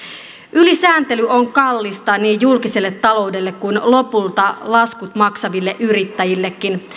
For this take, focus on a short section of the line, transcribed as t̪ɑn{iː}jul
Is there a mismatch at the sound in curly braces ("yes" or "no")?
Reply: no